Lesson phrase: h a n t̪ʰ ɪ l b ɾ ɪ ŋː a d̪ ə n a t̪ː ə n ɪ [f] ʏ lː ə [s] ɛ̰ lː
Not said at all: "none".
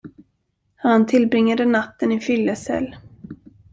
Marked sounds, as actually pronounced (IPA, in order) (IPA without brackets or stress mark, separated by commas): f, s